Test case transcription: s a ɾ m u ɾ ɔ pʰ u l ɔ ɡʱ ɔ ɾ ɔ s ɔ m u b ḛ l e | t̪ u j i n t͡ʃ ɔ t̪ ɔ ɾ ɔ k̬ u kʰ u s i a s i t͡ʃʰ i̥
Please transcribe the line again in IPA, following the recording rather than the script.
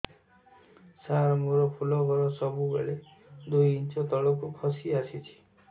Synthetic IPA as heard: s a ɾ m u ɾ ɔ pʰ u l ɔ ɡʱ ɔ ɾ ɔ s ɔ b u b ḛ ɭ e | d̪ u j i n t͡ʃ ɔ t̪ ɔ ɭ ɔ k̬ u kʰ ɔ s i a s i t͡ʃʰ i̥